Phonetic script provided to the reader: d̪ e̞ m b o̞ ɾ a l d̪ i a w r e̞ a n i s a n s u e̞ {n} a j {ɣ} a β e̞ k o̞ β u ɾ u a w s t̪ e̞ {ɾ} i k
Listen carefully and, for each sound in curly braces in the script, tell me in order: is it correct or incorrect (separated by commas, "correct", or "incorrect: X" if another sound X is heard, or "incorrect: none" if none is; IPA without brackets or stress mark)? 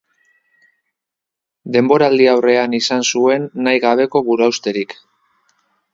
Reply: incorrect: nː, correct, correct